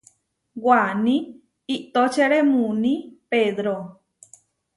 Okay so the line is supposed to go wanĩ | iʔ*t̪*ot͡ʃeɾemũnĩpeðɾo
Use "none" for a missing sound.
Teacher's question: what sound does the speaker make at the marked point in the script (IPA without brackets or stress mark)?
t̪